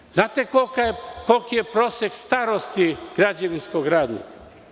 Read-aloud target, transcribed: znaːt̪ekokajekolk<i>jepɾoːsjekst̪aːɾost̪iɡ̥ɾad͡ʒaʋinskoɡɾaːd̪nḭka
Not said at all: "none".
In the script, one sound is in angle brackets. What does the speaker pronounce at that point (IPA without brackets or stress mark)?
i